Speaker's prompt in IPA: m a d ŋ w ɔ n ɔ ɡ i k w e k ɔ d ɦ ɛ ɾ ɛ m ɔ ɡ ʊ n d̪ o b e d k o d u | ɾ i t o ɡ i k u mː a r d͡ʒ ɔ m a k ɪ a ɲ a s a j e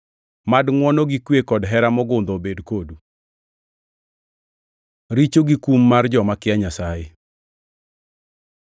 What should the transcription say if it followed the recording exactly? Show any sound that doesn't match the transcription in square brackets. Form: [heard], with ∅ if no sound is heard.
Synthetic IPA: m a d ŋ w ɔ n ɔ ɡ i k w e k ɔ d ɦ ɛ ɾ [a] m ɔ ɡ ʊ n d̪ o b e d k o d u | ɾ i [t͡ʃ] o ɡ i k u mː a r d͡ʒ ɔ m a k ɪ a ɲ a s a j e

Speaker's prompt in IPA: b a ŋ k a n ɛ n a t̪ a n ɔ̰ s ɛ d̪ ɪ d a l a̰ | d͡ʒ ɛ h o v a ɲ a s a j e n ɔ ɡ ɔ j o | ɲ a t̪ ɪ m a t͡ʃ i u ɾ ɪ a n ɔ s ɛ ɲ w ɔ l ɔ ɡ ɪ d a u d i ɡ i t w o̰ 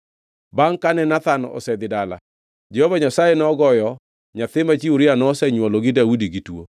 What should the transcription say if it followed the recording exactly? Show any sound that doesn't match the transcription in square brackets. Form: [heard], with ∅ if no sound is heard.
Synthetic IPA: b a ŋ k a n ɛ n a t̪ a n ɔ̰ s ɛ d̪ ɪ d a l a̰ | d͡ʒ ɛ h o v a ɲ a s a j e n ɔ ɡ ɔ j [ɔ] | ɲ a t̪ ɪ m a t͡ʃ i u ɾ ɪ a n ɔ s ɛ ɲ w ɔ l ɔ ɡ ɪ d a u d i ɡ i t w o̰

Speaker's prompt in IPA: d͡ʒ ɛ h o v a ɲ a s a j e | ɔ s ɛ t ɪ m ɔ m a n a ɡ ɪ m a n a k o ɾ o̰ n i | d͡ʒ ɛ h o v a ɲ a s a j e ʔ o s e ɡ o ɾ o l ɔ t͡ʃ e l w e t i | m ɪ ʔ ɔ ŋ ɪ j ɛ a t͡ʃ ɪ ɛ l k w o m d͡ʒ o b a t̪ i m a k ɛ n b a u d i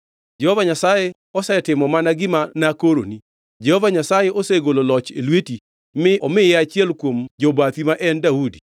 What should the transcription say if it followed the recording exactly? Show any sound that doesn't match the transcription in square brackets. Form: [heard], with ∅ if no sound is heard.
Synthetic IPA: d͡ʒ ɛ h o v a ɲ a s a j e | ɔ s ɛ t ɪ m ɔ m a n a ɡ ɪ m a n a k o ɾ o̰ n i | d͡ʒ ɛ h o v a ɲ a s a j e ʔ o s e ɡ o [l] o l ɔ t͡ʃ e l w e t i | m ɪ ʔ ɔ [m] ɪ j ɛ a t͡ʃ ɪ ɛ l k w o m d͡ʒ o b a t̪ i m a [ʔ] ɛ n [d] a u d i

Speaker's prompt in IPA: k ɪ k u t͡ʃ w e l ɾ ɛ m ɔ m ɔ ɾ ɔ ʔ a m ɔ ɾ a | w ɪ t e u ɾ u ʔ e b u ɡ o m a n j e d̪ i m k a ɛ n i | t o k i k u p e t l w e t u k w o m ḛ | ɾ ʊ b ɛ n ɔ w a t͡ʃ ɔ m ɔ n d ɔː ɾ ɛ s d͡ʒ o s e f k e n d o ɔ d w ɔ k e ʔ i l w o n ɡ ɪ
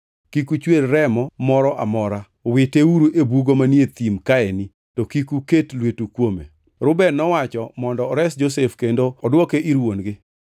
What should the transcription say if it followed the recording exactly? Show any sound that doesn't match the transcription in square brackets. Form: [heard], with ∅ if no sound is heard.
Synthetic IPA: k [i] k u t͡ʃ w e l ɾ ɛ m ɔ m ɔ ɾ ɔ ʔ a m ɔ ɾ a | w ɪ t e u ɾ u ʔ e b u ɡ o m a n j e [t̪] i m k a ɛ n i | t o k i k u [k] e t l w e t u k w o m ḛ | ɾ ʊ b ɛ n ɔ w a t͡ʃ ɔ m ɔ n d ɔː ɾ ɛ s d͡ʒ o s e f k e n d o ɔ d w ɔ k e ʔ i [ɾ] w o n ɡ ɪ

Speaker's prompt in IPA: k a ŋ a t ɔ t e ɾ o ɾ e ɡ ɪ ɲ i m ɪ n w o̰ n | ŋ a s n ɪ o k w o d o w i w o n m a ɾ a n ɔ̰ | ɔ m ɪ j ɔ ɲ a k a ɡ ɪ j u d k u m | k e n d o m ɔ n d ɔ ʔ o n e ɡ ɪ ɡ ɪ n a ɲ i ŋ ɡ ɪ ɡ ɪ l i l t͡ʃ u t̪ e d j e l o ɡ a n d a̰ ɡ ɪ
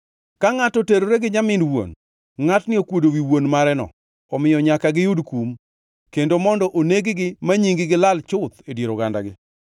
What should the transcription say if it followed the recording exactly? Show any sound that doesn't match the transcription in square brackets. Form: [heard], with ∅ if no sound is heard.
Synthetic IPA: k a ŋ a t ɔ t e ɾ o ɾ e ɡ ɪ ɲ [a] m ɪ n w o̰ n | ŋ a [t] n ɪ o k w o d o w i w o n m a ɾ [ɛ] n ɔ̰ | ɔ m ɪ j ɔ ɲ a k a ɡ ɪ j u d k u m | k e n d o m ɔ n d ɔ ʔ o n e ɡ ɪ ɡ ɪ [m] a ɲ i ŋ ɡ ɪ ɡ ɪ l [a] l t͡ʃ [ʊ] t̪ e d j e [ɾ] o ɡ a n d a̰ ɡ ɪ

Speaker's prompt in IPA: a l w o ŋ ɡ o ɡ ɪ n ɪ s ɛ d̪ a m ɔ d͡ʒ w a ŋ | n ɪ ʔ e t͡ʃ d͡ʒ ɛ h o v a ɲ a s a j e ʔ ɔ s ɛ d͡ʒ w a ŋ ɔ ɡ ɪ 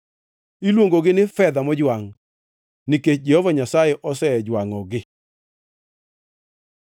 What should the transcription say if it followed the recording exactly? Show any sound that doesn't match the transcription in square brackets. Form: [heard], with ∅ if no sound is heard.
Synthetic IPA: [i] l w o ŋ ɡ o ɡ ɪ n ɪ [f] ɛ d̪ a m ɔ d͡ʒ w a ŋ | n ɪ [k] e t͡ʃ d͡ʒ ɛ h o v a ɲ a s a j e ʔ ɔ s ɛ d͡ʒ w a ŋ ɔ ɡ ɪ

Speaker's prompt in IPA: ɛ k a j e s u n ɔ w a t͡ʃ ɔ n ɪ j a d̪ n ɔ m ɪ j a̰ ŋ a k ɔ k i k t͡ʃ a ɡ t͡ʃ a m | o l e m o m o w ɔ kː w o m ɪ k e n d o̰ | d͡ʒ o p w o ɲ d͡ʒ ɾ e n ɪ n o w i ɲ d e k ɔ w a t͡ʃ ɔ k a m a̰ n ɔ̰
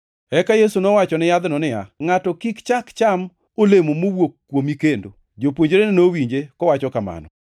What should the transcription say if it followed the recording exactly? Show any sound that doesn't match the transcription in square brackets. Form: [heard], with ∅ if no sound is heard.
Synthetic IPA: ɛ k a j e s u n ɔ w a t͡ʃ ɔ n ɪ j a d̪ n ɔ [n] ɪ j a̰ ŋ a [t] ɔ k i k t͡ʃ a [k] t͡ʃ a m | o l e m o m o w [o] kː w o m [i] k e n d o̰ | d͡ʒ o p w o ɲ d͡ʒ ɾ e n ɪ n o w i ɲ [d͡ʒ] e k ɔ w a t͡ʃ ɔ k a m a̰ n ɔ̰

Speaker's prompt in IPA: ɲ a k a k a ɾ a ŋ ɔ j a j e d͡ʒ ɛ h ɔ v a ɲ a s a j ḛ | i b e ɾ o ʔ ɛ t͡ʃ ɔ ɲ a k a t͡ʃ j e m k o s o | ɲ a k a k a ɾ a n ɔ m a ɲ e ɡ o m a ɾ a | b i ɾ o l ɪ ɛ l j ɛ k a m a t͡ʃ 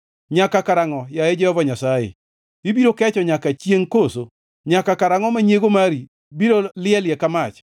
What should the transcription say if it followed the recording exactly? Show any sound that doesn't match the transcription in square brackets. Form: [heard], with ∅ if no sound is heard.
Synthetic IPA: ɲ a k a k a ɾ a ŋ ɔ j a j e d͡ʒ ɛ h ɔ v a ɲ a s a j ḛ | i b [i] ɾ o [k] ɛ t͡ʃ ɔ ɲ a k a t͡ʃ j e [ŋ] k o s o | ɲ a k a k a ɾ a [ŋ] ɔ m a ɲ e ɡ o m a ɾ [i] | b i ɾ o l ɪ ɛ l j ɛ k a m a t͡ʃ

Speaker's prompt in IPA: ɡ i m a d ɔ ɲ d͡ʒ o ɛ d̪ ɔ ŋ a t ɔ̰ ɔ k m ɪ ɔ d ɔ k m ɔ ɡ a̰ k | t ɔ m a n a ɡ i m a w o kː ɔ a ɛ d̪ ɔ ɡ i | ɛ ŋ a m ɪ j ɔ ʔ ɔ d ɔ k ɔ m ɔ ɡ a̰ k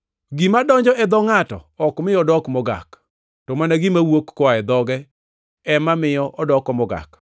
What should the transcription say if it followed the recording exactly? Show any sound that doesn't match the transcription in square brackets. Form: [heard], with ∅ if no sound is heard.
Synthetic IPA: ɡ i m a d ɔ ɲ d͡ʒ [ɔ] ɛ d̪ ɔ ŋ a t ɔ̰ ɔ k m ɪ ɔ d ɔ k m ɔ ɡ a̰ k | t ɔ m a n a ɡ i m a w o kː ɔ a ɛ d̪ ɔ ɡ [ɛ] | ɛ [m] a m ɪ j ɔ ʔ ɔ d ɔ k ɔ m ɔ ɡ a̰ k

